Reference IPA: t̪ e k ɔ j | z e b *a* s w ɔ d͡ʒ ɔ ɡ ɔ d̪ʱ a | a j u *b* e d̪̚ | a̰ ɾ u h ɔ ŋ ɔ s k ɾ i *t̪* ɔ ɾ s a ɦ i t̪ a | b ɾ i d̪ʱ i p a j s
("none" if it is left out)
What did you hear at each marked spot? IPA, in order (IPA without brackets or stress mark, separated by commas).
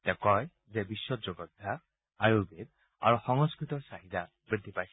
i, b, t̪